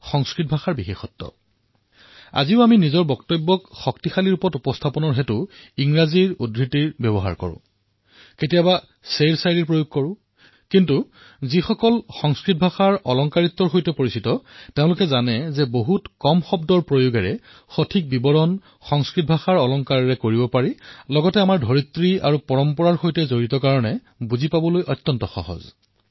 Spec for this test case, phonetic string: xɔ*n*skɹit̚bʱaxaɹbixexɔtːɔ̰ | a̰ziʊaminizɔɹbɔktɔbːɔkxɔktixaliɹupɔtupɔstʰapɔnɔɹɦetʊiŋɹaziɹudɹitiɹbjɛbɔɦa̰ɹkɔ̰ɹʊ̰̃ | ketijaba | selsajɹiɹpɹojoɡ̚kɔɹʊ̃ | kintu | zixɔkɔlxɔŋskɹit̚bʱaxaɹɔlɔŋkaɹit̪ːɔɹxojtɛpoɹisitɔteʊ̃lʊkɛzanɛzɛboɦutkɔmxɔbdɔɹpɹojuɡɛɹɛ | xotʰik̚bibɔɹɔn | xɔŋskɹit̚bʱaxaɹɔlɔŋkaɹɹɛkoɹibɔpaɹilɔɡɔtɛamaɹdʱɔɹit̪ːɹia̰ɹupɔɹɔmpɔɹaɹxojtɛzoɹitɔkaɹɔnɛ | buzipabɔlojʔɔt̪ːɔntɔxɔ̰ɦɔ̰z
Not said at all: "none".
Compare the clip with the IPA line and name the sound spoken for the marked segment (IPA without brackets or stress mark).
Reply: ŋ